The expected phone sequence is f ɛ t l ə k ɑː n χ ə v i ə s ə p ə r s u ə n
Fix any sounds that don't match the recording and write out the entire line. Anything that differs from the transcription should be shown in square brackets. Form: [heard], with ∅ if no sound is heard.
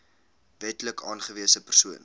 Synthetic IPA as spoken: [v] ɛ t l ə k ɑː n χ ə v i ə s ə p ə r s u ə n